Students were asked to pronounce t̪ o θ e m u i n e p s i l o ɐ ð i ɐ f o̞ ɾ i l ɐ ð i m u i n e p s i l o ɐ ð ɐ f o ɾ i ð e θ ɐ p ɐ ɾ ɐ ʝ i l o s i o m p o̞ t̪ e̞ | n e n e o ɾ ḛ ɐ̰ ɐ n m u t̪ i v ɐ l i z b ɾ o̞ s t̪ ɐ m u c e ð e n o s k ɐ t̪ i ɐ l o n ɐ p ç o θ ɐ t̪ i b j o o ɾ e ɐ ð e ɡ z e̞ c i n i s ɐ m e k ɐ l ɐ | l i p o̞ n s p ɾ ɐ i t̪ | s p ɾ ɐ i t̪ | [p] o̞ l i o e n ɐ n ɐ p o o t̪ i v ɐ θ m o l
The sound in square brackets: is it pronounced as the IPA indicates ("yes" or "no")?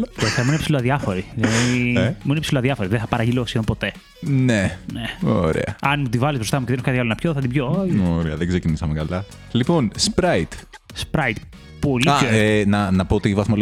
yes